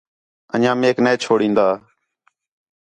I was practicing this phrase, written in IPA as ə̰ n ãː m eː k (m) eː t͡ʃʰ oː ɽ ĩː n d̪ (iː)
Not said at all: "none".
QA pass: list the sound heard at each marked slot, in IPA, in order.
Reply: n, aː

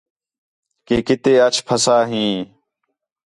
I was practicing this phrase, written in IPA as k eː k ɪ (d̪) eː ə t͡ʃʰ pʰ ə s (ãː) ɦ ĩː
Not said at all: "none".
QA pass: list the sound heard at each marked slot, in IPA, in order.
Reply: t̪, aː

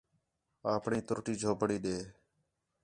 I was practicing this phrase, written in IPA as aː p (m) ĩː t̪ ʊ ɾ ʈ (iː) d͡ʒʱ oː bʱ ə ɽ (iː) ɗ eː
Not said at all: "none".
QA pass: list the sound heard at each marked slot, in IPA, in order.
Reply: ɳ, iː, iː

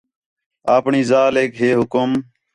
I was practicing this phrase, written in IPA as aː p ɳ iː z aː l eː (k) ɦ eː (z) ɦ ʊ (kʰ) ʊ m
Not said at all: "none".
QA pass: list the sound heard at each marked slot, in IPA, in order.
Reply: k, none, k

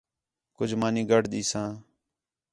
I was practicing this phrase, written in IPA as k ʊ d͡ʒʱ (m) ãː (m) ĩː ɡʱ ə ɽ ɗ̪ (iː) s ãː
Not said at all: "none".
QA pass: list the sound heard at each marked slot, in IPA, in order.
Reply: m, n, iː

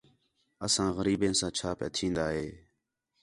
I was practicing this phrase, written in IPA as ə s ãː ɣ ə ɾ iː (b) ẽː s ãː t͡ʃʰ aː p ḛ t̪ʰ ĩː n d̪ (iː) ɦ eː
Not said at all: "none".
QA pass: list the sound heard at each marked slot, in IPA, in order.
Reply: b, aː

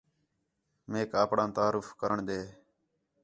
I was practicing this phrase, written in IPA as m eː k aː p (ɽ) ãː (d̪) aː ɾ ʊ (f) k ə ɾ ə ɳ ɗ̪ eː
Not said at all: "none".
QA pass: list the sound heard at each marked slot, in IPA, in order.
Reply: ɽ, t̪, f

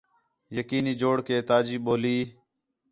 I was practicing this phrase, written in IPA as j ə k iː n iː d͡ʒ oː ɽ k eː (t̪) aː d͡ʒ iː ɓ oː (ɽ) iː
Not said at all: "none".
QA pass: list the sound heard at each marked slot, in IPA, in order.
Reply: t̪, l

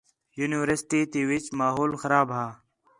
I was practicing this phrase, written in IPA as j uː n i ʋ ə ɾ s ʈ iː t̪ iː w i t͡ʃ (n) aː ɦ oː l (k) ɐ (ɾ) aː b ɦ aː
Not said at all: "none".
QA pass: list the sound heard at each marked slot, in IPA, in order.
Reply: m, x, ɾ

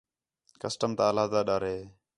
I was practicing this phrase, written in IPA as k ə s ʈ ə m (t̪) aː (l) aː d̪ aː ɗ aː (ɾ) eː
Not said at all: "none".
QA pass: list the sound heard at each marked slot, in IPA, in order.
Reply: t̪, l, ɾ

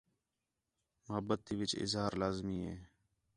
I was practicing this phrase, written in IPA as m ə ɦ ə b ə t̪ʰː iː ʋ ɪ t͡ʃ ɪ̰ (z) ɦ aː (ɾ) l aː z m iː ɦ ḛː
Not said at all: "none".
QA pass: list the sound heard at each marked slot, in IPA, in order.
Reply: z, ɾ

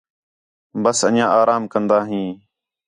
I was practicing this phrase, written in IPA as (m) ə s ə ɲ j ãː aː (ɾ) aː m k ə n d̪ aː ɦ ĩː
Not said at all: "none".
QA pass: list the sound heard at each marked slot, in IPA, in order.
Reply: b, ɾ

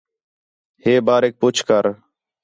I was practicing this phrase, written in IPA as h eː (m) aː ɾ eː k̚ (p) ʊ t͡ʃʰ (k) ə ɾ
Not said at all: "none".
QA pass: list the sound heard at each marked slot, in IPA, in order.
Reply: b, p, k

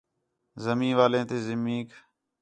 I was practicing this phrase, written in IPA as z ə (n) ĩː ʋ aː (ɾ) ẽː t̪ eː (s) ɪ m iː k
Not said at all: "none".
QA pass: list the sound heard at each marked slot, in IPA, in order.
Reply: m, l, z

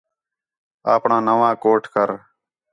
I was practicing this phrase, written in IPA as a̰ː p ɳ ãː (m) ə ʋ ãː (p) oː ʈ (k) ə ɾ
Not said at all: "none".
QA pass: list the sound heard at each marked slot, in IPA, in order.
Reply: n, k, k

